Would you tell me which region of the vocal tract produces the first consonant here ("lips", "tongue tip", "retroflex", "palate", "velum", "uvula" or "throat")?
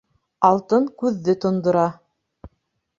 tongue tip